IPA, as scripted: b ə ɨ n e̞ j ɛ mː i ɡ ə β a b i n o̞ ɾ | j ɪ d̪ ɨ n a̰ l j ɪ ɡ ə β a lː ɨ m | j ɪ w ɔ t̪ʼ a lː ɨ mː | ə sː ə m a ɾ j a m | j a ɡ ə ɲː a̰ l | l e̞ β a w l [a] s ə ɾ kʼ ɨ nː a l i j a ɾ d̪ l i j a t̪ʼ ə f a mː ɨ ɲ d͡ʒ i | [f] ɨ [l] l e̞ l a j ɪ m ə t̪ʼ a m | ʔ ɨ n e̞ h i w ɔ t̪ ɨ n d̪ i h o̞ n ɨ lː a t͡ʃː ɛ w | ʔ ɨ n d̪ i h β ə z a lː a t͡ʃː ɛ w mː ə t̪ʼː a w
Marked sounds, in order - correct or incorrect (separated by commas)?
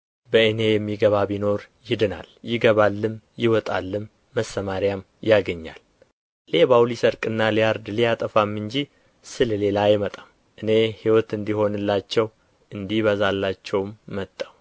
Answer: incorrect, incorrect, correct